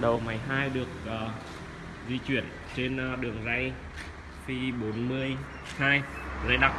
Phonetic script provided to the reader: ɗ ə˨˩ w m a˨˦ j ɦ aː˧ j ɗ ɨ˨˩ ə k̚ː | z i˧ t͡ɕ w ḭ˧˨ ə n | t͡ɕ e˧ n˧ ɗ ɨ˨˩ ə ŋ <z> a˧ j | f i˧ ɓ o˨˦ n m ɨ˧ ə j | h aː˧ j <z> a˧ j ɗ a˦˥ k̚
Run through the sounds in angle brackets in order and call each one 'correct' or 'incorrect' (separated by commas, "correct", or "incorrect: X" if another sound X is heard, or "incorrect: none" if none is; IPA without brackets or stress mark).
correct, correct